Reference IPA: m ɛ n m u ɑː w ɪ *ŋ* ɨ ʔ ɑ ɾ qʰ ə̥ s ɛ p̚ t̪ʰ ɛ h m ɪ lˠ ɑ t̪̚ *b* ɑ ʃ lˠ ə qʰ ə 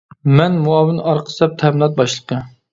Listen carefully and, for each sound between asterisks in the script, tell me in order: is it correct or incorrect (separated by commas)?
incorrect, correct